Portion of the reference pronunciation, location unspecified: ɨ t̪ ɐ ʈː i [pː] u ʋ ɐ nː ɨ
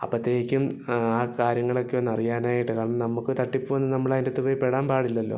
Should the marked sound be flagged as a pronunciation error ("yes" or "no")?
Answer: no